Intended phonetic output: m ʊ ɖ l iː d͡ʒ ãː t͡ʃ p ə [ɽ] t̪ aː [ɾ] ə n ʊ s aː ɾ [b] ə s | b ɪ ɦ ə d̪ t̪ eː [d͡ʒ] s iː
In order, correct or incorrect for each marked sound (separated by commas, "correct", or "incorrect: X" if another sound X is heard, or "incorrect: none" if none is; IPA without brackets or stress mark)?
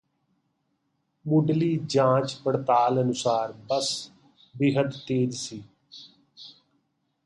correct, incorrect: l, correct, correct